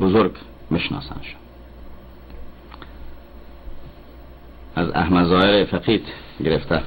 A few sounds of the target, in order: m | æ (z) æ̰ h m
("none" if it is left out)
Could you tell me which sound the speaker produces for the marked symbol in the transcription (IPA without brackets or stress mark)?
z